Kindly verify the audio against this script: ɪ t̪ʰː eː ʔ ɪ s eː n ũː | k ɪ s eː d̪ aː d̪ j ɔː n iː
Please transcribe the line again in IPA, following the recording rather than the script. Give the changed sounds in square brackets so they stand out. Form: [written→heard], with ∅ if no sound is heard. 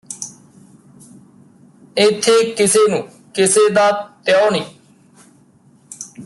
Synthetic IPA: ɪ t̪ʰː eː [ʔ→k] ɪ s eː n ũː | k ɪ s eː d̪ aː [d̪→t̪] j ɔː n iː